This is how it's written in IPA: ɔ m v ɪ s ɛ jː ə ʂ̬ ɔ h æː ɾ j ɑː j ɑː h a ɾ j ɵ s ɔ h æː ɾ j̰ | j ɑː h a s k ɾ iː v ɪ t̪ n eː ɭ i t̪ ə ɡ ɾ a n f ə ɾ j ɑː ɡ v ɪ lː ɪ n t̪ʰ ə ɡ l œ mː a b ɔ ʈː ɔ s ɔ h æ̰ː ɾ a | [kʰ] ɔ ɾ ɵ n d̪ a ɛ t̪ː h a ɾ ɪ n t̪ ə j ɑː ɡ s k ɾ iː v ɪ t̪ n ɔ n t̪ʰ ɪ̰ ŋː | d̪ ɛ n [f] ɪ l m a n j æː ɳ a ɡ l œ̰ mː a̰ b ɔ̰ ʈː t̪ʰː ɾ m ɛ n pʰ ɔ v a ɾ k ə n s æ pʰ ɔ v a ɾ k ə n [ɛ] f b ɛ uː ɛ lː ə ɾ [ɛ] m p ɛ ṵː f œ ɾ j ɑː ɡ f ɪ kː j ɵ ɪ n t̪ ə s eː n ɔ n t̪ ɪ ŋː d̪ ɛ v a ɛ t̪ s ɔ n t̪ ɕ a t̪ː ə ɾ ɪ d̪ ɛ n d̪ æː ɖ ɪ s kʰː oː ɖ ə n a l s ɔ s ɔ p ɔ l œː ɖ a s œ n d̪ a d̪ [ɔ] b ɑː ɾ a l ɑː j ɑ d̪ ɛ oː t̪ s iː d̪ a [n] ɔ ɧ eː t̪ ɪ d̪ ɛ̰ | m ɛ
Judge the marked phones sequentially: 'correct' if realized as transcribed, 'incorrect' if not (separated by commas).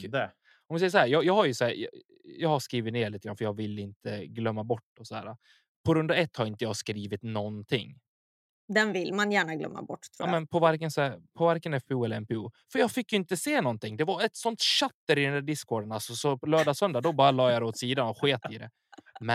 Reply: incorrect, incorrect, correct, correct, correct, correct